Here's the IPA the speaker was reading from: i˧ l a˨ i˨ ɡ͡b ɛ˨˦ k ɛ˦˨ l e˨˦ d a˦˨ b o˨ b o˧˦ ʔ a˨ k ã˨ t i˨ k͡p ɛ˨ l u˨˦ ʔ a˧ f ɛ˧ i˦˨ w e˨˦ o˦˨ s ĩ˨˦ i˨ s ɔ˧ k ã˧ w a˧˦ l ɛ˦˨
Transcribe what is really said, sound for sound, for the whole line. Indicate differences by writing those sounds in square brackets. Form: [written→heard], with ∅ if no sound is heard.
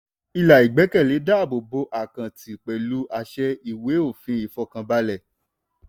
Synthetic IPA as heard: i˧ l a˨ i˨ ɡ͡b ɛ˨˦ k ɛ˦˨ l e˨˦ d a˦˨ b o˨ b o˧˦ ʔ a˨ k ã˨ t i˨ k͡p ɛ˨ l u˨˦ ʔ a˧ [f→ʃ] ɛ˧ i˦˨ w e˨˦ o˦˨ [s→f] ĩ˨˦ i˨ [s→f] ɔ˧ k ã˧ [w→b] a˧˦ l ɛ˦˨